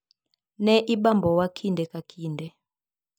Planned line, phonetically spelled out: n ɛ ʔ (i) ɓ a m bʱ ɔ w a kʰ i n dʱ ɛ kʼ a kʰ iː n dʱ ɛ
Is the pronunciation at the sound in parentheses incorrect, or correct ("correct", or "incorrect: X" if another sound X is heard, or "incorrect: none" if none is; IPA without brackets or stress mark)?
correct